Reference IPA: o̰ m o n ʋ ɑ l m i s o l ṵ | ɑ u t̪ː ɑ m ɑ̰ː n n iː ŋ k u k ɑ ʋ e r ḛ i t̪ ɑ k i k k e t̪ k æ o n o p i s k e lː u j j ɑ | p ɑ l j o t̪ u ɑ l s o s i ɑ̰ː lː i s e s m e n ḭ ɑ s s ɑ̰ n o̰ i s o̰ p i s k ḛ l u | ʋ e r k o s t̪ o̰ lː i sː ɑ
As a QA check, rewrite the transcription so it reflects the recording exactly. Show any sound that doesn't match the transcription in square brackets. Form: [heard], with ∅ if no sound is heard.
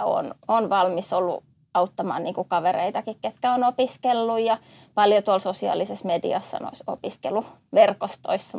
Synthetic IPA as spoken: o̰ [n] o n ʋ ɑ l m i s o [lː] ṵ | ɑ u t̪ː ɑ m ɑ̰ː n n iː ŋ k u k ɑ ʋ e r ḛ i t̪ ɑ k i k k e t̪ k æ o n o p i s k e lː u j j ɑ | p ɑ l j o t̪ u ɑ l s o s i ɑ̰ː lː i s e s m e [d] ḭ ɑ s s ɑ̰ n o̰ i s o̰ p i s k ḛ l u | ʋ e r k o s t̪ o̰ [∅] i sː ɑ